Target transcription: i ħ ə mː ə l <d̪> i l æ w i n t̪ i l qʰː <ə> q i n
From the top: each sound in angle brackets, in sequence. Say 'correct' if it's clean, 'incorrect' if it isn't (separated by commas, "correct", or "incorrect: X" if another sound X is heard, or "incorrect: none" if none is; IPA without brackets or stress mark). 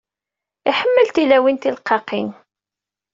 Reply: incorrect: t̪, incorrect: ɑ